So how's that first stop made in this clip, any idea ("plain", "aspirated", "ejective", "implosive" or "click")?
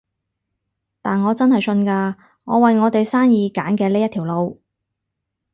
plain